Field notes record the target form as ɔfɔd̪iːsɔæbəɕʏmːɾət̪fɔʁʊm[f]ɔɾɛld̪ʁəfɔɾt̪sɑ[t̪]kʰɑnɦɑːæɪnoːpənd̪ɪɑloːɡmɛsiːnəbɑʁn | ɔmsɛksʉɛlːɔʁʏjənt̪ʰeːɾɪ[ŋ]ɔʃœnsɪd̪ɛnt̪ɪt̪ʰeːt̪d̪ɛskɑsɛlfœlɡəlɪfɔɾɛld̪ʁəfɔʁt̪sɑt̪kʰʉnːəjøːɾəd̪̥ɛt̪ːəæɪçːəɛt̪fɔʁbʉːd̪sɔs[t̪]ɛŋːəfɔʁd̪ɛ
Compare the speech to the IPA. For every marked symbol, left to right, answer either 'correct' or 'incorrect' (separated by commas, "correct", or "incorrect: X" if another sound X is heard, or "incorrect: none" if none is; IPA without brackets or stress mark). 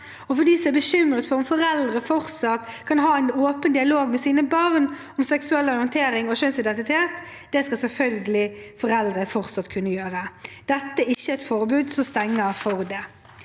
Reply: correct, correct, correct, correct